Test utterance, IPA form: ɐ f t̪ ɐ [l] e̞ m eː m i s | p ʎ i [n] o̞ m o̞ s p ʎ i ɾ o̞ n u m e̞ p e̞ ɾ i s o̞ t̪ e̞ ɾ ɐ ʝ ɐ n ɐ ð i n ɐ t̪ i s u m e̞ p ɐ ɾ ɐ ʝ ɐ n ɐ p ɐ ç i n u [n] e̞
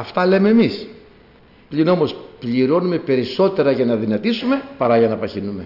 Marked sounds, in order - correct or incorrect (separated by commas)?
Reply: correct, correct, incorrect